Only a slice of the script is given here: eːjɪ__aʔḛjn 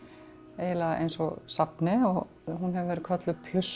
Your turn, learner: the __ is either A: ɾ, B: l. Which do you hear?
B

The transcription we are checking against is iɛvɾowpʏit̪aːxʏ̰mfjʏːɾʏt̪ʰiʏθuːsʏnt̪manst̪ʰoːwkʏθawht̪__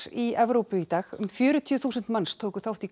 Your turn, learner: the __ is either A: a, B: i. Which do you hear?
B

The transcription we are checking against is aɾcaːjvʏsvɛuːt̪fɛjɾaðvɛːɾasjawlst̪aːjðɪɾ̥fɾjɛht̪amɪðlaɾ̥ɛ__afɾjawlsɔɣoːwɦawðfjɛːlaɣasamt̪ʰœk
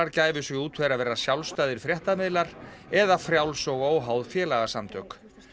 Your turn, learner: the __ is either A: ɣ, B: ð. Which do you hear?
B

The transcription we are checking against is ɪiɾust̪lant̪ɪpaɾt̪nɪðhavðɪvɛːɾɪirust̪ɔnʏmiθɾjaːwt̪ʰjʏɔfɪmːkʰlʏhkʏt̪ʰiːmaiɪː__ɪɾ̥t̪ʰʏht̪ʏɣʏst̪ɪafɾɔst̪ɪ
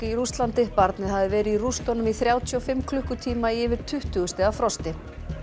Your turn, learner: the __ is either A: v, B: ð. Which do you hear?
A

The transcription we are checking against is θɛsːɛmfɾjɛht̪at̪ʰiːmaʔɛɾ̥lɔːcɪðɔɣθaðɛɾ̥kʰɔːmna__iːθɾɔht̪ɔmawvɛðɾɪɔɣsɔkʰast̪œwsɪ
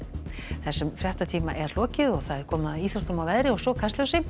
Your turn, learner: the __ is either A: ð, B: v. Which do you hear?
A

